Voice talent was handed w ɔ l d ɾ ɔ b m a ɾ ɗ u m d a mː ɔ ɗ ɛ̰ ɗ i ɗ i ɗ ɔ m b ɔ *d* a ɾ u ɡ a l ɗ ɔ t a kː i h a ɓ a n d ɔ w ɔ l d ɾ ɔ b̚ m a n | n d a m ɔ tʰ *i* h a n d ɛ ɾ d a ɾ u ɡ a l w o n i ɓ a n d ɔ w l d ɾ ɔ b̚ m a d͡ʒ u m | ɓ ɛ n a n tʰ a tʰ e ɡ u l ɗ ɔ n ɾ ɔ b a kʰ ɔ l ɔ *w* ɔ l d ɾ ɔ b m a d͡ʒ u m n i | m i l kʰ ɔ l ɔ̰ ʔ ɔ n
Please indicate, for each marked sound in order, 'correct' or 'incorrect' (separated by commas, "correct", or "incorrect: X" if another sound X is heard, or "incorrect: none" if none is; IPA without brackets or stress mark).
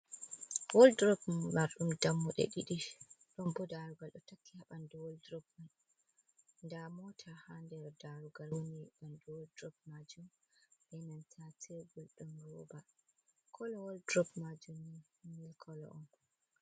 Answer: correct, incorrect: a, correct